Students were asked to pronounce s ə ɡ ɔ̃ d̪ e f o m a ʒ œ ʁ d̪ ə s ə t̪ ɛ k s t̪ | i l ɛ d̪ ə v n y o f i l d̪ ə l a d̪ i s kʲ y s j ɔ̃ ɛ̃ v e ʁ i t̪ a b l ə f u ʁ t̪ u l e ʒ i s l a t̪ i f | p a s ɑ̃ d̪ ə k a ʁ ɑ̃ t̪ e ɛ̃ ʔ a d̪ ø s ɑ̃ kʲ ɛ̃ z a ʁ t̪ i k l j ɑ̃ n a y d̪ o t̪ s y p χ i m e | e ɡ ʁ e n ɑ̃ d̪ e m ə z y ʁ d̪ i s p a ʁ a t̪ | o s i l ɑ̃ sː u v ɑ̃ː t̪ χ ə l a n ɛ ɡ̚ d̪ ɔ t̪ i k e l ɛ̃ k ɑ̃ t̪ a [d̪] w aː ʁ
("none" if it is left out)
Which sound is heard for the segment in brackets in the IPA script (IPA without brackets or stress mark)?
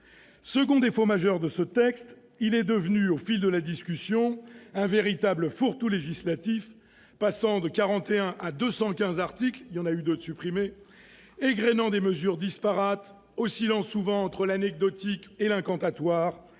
t̪